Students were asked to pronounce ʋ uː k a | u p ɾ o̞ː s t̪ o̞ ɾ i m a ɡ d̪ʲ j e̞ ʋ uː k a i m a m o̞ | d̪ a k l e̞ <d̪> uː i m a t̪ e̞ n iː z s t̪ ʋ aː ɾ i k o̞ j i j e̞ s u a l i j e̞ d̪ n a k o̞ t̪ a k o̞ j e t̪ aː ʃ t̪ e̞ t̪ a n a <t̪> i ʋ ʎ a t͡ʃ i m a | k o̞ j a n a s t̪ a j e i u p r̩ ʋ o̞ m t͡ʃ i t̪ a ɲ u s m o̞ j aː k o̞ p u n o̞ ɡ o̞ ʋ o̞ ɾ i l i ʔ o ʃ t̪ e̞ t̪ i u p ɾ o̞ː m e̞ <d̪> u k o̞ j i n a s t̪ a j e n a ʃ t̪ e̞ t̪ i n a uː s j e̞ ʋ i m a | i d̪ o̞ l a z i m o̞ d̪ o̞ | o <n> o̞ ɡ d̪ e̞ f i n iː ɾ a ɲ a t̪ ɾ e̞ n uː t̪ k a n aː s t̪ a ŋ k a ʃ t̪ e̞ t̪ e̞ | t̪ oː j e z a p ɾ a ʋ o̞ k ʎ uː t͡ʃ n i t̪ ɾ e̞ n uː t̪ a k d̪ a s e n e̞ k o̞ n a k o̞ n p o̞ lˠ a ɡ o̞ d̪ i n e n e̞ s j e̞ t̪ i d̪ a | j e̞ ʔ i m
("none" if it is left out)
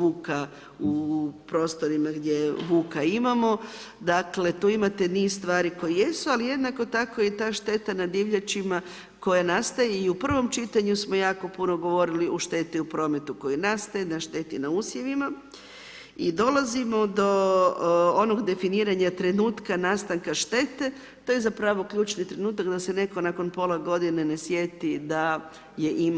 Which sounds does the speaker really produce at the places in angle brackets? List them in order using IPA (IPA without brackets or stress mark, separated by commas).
t̪, d̪, t̪, n